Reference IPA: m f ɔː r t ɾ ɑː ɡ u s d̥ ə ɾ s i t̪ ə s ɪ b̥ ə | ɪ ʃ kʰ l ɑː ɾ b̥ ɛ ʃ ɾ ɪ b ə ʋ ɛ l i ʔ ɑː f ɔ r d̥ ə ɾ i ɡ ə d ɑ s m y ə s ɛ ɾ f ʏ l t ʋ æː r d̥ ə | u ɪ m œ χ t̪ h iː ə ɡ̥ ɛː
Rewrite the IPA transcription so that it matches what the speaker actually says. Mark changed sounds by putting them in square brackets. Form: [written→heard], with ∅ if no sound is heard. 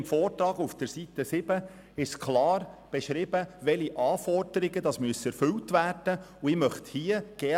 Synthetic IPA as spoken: m f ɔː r t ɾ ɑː ɡ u [s→f] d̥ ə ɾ s i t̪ ə s ɪ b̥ ə | ɪ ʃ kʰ l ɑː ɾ b̥ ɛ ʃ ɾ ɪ b ə ʋ ɛ l i ʔ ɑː f ɔ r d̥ ə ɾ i ɡ ə d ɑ s m y ə s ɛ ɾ f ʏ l t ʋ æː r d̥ ə | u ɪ m œ χ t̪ h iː ə ɡ̥ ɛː

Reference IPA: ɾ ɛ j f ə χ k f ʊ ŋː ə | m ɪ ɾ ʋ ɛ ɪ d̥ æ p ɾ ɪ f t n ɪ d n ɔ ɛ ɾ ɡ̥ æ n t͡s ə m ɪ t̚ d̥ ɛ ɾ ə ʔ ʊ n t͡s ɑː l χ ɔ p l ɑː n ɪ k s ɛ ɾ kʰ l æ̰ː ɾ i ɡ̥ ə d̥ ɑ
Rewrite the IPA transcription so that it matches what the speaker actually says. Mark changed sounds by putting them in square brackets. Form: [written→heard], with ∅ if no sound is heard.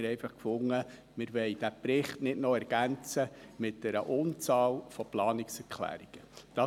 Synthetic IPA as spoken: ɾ ɛ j f [ə→ɑ] χ k f ʊ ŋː ə | m ɪ ɾ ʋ ɛ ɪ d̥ æ p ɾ ɪ [f→χ] t n ɪ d n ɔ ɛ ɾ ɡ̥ æ n t͡s ə m ɪ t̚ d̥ ɛ ɾ ə ʔ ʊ n t͡s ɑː l [χ→f] ɔ p l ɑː n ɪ k s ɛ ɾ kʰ l æ̰ː ɾ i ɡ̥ ə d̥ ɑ

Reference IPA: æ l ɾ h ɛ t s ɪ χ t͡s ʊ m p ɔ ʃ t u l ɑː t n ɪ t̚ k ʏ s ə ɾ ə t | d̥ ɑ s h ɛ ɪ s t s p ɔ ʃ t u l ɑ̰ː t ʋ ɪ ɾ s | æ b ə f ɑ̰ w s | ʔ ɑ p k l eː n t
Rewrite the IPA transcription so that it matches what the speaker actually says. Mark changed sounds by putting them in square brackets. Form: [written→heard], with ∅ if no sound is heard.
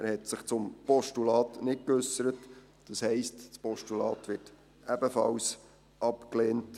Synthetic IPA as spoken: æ [l→∅] ɾ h ɛ t s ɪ χ t͡s ʊ m p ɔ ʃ t u l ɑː t n ɪ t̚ k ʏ s ə ɾ ə t | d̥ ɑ s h ɛ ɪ s t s p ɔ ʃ t u l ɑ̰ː t ʋ ɪ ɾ [s→t] | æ b ə f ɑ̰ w s | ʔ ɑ p k l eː n t

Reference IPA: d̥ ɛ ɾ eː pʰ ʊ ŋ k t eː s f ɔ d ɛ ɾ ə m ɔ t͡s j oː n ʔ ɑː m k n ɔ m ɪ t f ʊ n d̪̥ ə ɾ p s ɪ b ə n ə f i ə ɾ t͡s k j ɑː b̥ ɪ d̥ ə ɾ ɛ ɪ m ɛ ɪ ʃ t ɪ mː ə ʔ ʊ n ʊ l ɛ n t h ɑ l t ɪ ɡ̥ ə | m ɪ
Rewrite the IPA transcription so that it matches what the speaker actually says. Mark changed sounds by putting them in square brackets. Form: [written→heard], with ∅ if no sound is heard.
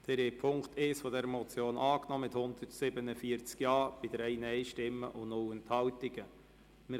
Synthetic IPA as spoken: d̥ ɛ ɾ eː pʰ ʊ ŋ k t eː s f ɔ d ɛ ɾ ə m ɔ t͡s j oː n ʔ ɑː [m→∅] k n ɔ m ɪ t [f→h] ʊ n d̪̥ ə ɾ [p→t] s ɪ b ə n ə f i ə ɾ t͡s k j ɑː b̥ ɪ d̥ ə ɾ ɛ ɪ [m→n] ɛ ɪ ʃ t ɪ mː ə ʔ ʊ n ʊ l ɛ n t h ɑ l t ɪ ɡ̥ ə | m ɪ

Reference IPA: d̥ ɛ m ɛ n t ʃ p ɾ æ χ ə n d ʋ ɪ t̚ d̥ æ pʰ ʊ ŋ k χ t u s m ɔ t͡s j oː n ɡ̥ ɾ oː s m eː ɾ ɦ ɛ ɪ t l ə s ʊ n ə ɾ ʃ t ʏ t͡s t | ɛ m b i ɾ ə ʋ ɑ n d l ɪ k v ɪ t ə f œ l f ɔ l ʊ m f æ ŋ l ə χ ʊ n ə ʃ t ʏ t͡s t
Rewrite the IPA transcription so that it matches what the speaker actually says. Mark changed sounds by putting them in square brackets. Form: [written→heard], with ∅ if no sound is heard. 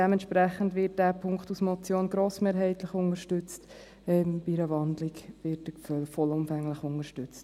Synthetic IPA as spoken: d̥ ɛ m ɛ n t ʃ p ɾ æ χ ə n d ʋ ɪ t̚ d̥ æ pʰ ʊ ŋ k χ t u s m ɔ t͡s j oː n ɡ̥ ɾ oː s m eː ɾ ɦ ɛ ɪ t l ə [s→χ] ʊ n ə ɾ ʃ t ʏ t͡s t | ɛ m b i ɾ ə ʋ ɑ n d l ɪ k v ɪ t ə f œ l f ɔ l ʊ m f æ ŋ l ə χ ʊ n ə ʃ t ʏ t͡s t

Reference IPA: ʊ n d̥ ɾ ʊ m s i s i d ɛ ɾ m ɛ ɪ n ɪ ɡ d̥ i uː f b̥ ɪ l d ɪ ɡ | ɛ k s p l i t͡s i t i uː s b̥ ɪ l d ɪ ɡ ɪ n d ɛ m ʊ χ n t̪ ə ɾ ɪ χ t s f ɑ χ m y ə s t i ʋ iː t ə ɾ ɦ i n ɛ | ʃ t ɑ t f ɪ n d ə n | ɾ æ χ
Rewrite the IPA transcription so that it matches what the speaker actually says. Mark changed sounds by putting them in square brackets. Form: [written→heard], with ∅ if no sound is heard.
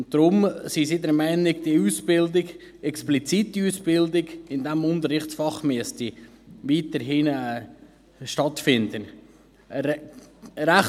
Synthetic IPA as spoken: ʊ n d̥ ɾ ʊ m s i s i d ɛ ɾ m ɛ ɪ n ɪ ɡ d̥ i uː [f→s] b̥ ɪ l d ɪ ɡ | ɛ k s p l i t͡s i t i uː s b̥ ɪ l d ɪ ɡ ɪ n d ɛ m ʊ [χ→∅] n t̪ ə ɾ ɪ χ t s f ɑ χ m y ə s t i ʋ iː t ə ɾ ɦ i n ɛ | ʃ t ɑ t f ɪ n d ə n | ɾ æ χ

